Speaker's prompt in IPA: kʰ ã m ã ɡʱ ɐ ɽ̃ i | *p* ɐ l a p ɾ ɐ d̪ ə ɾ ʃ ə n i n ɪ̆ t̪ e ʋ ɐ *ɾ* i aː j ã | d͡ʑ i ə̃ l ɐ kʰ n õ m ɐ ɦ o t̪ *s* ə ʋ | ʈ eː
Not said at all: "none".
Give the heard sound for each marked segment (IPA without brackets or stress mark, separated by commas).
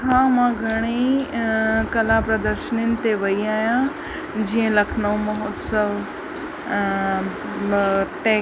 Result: k, none, s